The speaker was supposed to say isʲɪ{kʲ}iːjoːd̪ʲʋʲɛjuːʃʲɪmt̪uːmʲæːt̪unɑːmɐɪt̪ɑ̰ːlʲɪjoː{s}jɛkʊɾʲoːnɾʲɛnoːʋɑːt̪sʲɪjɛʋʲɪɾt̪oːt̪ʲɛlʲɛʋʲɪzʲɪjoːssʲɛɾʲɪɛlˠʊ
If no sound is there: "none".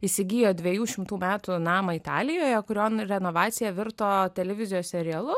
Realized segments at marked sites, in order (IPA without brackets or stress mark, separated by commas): ɡʲ, none